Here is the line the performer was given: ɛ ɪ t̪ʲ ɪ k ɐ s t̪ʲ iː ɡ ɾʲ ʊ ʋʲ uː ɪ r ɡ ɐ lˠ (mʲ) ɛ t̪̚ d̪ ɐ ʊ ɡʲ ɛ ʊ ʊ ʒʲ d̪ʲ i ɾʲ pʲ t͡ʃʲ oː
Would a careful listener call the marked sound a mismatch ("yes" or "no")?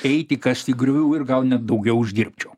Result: yes